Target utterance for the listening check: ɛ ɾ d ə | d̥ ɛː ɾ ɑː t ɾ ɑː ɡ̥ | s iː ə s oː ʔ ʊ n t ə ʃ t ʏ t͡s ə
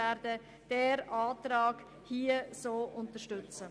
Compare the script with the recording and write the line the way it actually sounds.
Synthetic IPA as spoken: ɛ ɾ d ə | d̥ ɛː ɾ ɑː t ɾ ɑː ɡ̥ | h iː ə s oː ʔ ʊ n t ə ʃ t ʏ t͡s ə